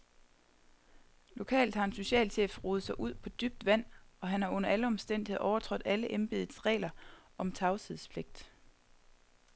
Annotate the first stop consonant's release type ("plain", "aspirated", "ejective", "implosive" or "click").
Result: aspirated